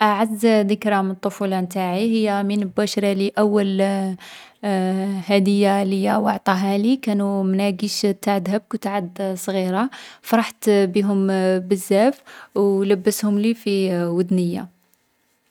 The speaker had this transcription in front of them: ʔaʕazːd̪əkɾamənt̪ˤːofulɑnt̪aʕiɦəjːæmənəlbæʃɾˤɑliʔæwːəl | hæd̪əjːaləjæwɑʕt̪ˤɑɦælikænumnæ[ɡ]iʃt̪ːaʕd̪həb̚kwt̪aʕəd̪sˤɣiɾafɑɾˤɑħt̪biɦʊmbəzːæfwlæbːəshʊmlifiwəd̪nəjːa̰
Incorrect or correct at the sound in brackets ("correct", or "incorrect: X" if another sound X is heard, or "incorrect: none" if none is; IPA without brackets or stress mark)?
correct